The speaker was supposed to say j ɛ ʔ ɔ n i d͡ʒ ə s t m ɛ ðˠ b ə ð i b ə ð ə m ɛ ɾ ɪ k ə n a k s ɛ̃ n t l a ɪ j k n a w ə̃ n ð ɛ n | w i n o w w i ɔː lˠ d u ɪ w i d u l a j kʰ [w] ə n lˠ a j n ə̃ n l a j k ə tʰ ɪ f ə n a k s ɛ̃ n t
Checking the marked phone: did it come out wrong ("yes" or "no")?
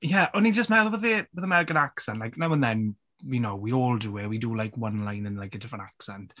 no